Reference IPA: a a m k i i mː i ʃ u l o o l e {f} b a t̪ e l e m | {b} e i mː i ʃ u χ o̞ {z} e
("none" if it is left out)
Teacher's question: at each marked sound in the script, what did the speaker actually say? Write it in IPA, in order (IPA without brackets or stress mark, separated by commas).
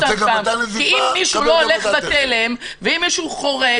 χ, v, ʁ